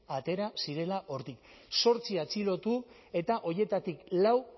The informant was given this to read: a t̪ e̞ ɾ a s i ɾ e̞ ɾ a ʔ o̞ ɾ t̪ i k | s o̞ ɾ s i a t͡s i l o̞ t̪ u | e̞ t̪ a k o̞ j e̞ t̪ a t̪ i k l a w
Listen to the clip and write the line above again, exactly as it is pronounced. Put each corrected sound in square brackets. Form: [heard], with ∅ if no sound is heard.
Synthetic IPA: a t̪ e̞ ɾ a s i ɾ e̞ [l] a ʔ o̞ ɾ t̪ i k | s o̞ ɾ [t͡s] i a t͡s i l o̞ t̪ u | e̞ t̪ a [ʔ] o̞ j e̞ t̪ a t̪ i k l a w